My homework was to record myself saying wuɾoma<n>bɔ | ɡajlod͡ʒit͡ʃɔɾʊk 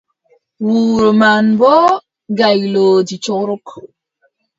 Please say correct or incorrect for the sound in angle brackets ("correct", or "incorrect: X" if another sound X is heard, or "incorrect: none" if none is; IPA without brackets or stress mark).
correct